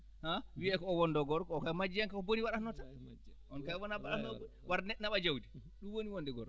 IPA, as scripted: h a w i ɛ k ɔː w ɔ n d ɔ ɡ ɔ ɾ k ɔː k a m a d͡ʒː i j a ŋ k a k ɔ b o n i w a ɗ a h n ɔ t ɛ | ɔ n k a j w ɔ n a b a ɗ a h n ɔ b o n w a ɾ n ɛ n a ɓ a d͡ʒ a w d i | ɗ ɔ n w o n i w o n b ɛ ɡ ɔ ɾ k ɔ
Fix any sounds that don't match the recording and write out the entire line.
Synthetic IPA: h a w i ɛ k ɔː w ɔ n d ɔ ɡ ɔ ɾ k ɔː k a m a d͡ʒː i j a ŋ k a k ɔ b o n i w a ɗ a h n ɔ t a | ɔ n k a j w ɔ n a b a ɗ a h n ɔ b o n w a ɾ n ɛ n a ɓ a d͡ʒ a w d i | ɗ u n w o n i w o n d ɛ ɡ ɔ ɾ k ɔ